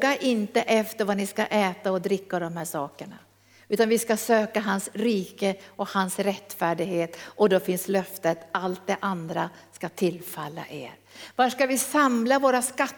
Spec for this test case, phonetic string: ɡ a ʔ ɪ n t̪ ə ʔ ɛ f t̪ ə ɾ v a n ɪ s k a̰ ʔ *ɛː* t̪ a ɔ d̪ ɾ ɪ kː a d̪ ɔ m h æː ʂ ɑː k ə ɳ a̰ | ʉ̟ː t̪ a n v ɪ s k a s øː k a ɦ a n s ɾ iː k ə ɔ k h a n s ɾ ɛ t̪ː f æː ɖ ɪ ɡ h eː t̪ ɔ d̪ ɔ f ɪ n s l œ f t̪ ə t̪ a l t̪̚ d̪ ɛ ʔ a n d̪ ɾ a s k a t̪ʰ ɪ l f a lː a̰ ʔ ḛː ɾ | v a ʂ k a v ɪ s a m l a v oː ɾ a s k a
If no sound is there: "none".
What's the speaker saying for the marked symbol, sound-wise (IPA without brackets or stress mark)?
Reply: ɛː